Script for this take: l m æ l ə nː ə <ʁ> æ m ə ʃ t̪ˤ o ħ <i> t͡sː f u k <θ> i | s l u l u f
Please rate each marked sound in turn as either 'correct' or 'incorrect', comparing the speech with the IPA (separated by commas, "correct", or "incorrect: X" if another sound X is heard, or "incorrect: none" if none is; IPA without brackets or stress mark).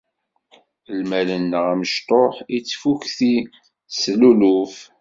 correct, correct, correct